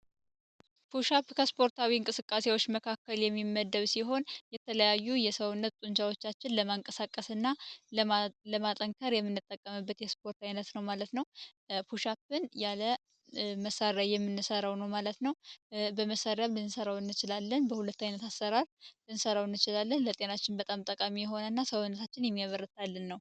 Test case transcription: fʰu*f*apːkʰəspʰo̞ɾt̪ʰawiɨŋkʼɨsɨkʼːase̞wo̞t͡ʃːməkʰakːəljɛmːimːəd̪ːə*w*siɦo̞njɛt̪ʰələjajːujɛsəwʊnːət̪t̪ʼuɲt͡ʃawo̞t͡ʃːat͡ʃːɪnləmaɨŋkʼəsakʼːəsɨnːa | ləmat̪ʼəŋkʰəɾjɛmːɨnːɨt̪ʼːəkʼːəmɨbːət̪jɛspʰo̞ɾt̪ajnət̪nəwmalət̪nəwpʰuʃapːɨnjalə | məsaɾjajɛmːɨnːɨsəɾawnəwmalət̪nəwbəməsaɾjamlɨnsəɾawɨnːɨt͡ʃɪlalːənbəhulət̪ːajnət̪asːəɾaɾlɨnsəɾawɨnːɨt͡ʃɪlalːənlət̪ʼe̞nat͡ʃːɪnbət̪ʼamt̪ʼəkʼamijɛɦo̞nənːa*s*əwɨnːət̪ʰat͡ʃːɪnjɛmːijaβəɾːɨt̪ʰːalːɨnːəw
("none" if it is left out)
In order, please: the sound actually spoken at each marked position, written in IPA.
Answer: ʃ, β, s

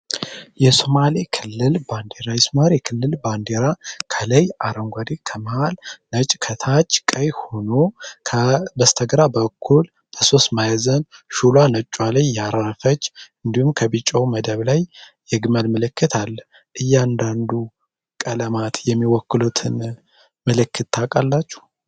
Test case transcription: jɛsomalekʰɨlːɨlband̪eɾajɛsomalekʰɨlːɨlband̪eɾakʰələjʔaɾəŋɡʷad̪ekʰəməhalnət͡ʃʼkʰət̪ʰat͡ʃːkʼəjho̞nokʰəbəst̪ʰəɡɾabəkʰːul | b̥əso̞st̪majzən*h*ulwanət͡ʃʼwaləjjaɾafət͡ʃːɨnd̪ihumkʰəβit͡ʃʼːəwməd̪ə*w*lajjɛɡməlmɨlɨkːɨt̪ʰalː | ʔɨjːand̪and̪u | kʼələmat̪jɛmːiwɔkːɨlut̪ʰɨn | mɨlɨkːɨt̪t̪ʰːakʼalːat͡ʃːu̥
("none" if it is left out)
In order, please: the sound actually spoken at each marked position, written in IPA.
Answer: ʃ, β

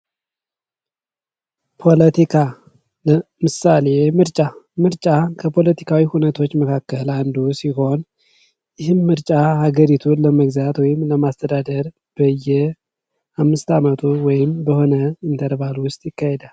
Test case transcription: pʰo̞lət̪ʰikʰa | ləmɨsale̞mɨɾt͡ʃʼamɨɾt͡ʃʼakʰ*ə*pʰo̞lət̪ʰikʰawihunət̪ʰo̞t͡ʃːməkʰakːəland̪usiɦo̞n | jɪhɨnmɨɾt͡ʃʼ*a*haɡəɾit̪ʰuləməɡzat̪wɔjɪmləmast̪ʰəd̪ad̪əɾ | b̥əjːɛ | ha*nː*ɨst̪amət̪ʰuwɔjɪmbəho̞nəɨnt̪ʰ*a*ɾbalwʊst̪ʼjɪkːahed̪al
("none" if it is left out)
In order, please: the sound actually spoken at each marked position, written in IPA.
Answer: ə, a, mː, ə

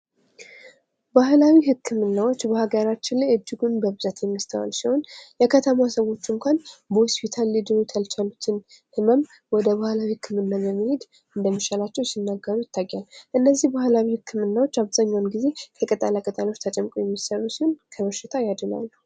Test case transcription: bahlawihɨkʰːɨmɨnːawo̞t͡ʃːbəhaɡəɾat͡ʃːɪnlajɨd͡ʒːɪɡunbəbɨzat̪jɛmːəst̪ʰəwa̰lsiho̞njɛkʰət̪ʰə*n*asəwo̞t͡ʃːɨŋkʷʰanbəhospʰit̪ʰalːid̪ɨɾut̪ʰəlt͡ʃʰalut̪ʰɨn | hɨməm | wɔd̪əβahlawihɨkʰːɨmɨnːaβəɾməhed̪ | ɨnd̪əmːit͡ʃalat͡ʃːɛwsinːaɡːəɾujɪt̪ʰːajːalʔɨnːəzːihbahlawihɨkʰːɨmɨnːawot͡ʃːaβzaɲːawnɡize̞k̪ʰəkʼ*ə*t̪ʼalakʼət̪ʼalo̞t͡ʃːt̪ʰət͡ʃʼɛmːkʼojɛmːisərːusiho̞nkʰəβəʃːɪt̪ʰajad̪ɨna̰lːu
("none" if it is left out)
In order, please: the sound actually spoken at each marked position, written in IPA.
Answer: m, ə

